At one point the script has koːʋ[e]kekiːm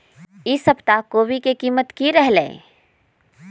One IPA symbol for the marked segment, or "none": i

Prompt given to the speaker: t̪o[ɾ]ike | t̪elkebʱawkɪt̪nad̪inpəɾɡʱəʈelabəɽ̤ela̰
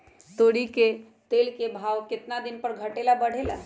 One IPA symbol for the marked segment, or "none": ɽ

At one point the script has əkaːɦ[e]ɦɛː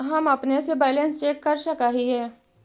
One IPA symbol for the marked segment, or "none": i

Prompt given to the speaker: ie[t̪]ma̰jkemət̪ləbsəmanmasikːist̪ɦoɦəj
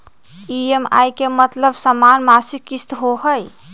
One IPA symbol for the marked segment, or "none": none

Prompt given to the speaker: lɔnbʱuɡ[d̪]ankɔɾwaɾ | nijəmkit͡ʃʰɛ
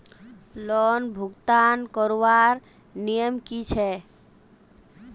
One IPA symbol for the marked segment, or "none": t̪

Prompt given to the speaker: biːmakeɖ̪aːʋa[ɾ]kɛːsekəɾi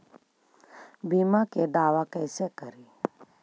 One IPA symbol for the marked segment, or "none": none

